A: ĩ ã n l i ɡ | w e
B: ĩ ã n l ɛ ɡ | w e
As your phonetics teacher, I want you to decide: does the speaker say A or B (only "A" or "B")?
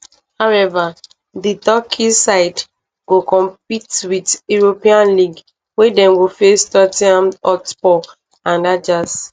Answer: A